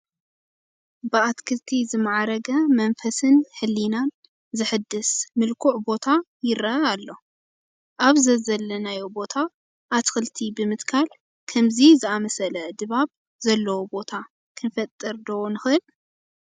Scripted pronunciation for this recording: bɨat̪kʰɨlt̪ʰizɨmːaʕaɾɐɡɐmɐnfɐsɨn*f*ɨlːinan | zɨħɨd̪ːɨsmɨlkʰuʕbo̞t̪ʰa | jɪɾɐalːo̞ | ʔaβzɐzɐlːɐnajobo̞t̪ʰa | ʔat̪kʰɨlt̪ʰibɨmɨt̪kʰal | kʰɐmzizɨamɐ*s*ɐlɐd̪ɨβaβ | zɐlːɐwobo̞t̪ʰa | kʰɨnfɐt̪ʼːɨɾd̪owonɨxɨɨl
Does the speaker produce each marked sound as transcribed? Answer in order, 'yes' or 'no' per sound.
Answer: no, yes

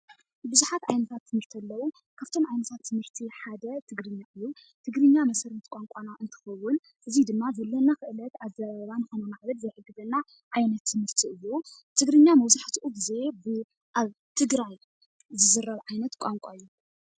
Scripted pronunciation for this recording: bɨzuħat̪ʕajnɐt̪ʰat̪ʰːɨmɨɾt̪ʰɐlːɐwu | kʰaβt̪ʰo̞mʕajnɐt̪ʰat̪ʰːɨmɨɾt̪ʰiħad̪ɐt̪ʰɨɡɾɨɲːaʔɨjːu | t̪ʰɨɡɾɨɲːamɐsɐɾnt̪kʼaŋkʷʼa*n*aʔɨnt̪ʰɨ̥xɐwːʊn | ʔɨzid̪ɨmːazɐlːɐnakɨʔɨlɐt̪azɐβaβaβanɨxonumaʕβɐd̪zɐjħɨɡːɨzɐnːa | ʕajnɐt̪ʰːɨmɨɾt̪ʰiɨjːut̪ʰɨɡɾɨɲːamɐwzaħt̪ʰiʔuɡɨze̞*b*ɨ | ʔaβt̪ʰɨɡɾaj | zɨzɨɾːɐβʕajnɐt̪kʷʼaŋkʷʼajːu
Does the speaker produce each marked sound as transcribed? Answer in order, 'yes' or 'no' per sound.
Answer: yes, yes

